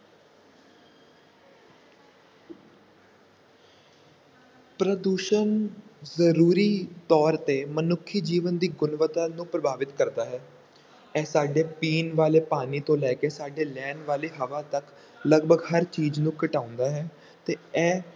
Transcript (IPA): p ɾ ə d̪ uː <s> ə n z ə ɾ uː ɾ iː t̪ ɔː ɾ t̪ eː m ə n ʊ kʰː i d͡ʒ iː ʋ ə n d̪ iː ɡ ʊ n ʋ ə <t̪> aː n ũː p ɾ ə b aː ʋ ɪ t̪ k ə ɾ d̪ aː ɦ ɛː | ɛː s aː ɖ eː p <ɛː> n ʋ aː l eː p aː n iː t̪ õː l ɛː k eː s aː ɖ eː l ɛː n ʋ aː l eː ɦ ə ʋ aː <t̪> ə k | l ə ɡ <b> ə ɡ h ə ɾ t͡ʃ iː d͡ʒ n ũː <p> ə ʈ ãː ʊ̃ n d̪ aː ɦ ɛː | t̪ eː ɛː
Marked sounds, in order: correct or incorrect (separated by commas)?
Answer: incorrect, correct, incorrect, correct, correct, incorrect